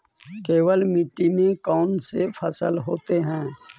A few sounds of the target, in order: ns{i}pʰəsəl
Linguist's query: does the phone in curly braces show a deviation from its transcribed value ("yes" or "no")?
yes